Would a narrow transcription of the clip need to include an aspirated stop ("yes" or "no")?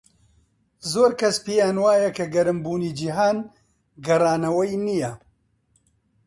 no